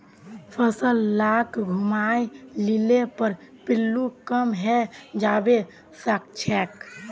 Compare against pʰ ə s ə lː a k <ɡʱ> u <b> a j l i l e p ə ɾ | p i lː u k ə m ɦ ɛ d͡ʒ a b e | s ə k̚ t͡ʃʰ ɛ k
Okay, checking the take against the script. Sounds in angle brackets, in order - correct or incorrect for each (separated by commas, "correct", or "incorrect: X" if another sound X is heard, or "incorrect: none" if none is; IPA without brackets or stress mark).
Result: correct, incorrect: m